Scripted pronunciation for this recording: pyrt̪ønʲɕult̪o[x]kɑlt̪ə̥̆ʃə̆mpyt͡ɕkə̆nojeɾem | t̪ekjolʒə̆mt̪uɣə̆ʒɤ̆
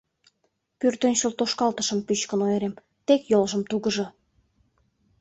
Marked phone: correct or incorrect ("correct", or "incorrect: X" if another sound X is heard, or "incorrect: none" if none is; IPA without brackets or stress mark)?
incorrect: ʃ